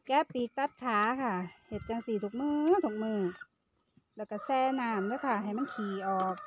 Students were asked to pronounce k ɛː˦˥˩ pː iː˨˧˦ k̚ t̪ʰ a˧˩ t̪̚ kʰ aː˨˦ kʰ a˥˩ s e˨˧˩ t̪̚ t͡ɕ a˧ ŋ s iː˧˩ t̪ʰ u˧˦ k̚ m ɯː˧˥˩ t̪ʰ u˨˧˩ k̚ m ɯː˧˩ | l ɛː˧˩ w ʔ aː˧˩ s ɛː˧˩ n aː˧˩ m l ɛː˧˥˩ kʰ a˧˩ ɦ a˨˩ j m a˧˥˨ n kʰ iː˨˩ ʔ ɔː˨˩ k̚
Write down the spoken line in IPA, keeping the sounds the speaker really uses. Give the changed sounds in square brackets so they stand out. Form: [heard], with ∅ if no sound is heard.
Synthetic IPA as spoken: k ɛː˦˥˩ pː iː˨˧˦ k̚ [t̪] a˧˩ t̪̚ kʰ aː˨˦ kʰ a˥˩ [h] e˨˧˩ t̪̚ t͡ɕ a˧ ŋ s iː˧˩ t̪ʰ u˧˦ k̚ m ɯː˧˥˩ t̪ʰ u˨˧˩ k̚ m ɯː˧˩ | l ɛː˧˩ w [k] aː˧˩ s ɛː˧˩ n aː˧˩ m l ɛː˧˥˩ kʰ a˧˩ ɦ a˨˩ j m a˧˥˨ n kʰ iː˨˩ ʔ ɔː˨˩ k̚

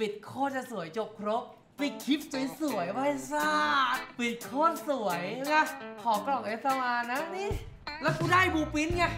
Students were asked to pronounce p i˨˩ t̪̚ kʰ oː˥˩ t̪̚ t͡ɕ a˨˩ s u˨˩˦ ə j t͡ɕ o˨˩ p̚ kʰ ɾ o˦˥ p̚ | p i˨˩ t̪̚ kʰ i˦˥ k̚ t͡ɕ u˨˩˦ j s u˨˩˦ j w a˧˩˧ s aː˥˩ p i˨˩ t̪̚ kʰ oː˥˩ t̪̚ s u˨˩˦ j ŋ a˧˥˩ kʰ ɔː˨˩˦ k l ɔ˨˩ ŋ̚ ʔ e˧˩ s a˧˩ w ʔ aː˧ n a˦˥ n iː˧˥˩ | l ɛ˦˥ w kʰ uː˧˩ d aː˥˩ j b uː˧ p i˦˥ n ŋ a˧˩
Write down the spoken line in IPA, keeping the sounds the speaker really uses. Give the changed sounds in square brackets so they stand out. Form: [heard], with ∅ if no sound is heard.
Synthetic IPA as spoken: p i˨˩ t̪̚ kʰ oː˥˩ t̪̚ t͡ɕ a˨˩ s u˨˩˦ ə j t͡ɕ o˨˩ p̚ kʰ ɾ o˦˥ p̚ | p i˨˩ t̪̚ kʰ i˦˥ [p̚] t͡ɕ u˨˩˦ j s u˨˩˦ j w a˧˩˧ s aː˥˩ p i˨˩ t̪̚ kʰ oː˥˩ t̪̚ s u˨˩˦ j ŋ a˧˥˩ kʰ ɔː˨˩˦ k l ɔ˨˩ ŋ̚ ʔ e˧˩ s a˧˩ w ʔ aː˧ n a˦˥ n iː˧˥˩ | l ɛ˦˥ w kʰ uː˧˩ d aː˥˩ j b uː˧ p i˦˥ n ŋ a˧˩

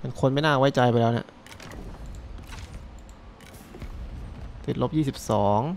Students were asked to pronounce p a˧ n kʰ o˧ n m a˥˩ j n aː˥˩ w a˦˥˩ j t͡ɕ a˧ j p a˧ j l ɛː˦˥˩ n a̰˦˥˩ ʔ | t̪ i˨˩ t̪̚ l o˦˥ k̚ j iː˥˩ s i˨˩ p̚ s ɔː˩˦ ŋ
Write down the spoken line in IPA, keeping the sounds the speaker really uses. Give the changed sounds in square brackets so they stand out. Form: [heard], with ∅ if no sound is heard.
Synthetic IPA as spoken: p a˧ n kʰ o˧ n m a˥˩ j n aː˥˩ w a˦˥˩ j t͡ɕ a˧ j p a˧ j l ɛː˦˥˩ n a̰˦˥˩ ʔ | t̪ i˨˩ t̪̚ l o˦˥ [p̚] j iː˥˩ s i˨˩ p̚ s ɔː˩˦ ŋ

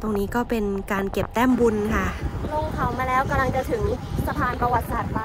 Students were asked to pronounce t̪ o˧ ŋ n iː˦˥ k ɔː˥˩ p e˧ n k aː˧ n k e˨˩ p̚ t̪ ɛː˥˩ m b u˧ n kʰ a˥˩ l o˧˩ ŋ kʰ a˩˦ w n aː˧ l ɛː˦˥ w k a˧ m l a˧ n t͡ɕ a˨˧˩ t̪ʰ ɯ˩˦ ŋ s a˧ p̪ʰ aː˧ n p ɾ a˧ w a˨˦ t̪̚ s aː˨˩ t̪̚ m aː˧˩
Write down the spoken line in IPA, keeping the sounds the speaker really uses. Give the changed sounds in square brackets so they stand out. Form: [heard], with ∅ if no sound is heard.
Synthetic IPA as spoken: t̪ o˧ ŋ n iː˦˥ k ɔː˥˩ p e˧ n k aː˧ n k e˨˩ p̚ t̪ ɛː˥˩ m b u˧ n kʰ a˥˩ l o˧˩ ŋ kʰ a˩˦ w [m] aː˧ l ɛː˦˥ w k a˧ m l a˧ [ŋ] t͡ɕ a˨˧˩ t̪ʰ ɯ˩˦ ŋ s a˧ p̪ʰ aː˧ n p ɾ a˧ w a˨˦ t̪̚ s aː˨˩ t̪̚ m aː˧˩

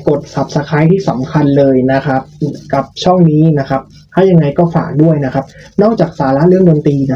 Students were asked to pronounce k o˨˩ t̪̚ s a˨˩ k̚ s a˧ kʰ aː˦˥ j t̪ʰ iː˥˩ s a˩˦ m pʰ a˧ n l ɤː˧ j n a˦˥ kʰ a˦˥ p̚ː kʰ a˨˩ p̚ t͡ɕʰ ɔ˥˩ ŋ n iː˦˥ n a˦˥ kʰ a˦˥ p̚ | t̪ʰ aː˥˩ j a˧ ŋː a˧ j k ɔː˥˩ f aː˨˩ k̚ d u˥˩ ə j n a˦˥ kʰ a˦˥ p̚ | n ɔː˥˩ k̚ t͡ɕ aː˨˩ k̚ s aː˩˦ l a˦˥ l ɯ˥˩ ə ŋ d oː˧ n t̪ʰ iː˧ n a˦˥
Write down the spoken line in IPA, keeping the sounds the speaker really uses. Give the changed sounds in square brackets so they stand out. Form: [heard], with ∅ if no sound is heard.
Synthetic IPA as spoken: k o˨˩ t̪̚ s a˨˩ [p̚] s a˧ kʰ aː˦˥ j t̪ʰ iː˥˩ s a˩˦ m [kʰ] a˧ n l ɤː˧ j n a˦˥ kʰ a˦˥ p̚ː [k] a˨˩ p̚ t͡ɕʰ ɔ˥˩ ŋ n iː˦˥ n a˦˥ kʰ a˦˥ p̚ | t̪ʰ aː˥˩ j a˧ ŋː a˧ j k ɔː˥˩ f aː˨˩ k̚ d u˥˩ ə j n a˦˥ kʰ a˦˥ p̚ | n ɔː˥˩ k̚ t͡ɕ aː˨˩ k̚ s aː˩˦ l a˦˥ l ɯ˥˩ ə ŋ d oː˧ n [t̪] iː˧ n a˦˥

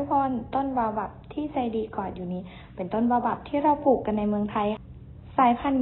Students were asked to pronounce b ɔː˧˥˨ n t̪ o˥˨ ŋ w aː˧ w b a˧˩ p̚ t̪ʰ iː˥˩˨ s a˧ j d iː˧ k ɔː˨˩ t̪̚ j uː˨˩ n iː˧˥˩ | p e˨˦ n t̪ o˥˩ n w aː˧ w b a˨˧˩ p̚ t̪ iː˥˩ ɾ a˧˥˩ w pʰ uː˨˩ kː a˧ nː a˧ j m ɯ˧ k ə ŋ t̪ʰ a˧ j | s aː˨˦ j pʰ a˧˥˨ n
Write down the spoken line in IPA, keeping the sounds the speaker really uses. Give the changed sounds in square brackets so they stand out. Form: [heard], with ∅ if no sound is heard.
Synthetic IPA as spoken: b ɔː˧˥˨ n t̪ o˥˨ [n] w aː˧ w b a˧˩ p̚ t̪ʰ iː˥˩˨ s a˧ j d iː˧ k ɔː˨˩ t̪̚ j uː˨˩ n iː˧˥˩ | p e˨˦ n t̪ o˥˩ n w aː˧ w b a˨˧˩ p̚ [t̪ʰ] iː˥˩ ɾ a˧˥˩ w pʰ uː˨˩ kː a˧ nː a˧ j m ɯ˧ [∅] ə ŋ t̪ʰ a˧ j | s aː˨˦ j pʰ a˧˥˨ n

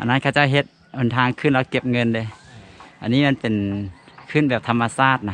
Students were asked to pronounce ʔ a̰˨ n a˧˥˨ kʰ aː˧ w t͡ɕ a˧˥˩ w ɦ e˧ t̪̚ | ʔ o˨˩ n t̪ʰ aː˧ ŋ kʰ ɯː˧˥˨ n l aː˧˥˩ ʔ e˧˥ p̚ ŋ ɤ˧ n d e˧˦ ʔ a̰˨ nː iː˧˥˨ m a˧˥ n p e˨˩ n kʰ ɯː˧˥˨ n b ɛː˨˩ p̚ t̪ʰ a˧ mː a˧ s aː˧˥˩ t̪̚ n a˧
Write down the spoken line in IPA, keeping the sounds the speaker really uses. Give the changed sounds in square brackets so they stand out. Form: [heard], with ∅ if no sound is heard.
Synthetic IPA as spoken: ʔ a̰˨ n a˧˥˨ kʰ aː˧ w t͡ɕ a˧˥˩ w ɦ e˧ t̪̚ | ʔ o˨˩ n t̪ʰ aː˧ ŋ kʰ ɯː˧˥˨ n l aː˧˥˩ [k] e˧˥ p̚ ŋ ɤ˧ n d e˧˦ ʔ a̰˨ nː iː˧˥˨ m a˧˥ n p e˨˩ n kʰ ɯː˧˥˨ n b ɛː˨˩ p̚ t̪ʰ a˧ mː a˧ s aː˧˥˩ t̪̚ n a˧

